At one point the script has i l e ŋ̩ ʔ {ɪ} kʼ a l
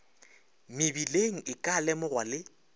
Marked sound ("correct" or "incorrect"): correct